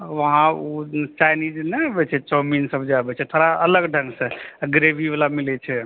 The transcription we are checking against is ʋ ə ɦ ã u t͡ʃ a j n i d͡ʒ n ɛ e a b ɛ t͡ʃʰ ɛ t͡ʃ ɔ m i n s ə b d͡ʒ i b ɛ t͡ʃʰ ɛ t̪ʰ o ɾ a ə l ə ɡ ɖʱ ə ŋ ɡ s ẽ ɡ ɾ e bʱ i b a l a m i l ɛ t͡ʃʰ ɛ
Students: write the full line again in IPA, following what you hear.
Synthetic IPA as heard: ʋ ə ɦ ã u t͡ʃ a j n i d͡ʒ n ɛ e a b ɛ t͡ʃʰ ɛ t͡ʃ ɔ m i n s ə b d͡ʒ a b ɛ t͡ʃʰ ɛ t̪ʰ o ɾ a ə l ə ɡ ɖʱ ə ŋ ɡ s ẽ ɡ ɾ e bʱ i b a l a m i l ɛ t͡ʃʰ ɛ